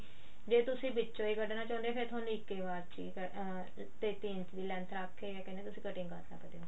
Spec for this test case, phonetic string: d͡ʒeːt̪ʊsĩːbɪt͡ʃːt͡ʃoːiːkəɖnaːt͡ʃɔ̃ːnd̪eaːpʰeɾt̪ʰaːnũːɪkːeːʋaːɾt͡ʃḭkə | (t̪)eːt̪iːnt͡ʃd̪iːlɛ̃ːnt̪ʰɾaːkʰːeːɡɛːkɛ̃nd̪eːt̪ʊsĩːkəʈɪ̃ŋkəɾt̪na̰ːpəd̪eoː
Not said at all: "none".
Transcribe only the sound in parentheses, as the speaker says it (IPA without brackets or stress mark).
t̪